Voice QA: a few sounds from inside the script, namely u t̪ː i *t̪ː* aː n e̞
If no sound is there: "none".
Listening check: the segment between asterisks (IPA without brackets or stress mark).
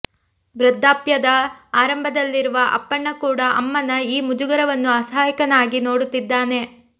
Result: d̪ː